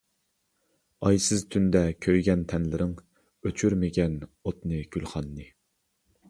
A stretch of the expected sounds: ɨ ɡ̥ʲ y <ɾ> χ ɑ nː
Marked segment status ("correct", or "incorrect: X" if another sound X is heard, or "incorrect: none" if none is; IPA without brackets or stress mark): incorrect: l